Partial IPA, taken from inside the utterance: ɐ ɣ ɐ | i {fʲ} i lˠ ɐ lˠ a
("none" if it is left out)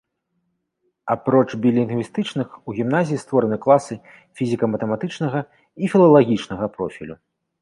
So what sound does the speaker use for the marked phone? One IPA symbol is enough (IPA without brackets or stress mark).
fʲ